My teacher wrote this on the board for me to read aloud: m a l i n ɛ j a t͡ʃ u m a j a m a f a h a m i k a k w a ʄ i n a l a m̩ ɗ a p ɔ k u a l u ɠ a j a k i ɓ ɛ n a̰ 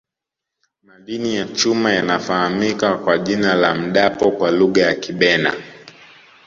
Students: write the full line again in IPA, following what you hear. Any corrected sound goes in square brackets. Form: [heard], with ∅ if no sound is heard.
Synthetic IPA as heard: m a l i n [i] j a t͡ʃ u m a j a [n] a f a h a m i k a k w a ʄ i n a l a m̩ ɗ a p ɔ k [w] a l u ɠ a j a k i ɓ ɛ n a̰